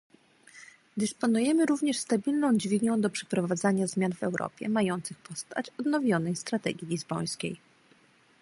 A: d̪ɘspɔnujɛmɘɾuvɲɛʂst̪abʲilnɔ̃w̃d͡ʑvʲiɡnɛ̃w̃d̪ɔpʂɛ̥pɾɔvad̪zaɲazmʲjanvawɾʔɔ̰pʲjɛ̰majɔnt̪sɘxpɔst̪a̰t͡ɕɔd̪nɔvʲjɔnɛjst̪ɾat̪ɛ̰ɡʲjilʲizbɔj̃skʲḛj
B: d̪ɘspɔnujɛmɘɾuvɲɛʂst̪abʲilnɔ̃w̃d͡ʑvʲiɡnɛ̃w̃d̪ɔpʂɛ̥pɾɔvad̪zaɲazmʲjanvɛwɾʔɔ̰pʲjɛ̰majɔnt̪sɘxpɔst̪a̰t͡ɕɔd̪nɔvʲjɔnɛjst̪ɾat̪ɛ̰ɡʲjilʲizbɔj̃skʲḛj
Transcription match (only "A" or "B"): B